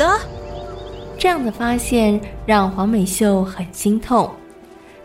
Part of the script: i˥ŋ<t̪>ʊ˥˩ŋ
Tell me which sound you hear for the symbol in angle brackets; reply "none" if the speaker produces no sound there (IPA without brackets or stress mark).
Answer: t̪ʰ